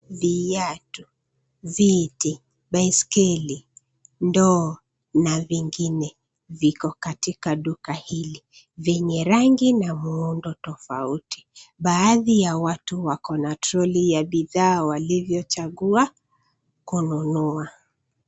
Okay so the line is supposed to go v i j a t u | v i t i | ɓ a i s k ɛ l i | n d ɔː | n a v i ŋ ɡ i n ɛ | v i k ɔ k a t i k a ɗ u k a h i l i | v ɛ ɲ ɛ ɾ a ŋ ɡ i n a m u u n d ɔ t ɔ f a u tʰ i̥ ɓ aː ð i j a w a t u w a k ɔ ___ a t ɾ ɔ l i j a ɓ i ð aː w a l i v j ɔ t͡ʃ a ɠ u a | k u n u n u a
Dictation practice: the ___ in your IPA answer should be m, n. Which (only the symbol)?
n